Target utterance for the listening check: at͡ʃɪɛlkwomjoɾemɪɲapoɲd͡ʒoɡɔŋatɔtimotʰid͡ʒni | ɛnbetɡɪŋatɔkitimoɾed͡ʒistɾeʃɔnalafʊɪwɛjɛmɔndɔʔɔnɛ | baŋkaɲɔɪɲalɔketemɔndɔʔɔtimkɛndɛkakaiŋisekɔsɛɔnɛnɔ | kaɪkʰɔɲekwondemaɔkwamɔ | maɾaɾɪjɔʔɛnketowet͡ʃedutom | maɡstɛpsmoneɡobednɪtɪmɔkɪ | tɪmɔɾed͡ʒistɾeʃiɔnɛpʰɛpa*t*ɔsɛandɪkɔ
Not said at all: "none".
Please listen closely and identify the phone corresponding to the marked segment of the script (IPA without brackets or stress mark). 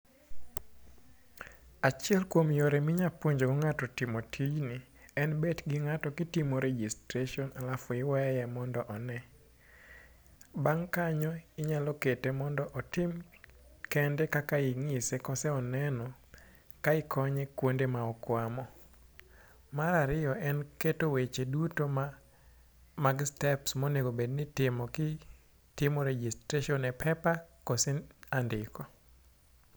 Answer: k